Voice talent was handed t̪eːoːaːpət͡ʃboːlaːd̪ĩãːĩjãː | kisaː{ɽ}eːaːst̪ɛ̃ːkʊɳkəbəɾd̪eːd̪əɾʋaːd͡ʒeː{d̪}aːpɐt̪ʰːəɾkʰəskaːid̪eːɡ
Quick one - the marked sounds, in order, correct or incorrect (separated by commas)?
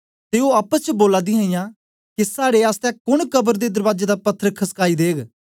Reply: correct, correct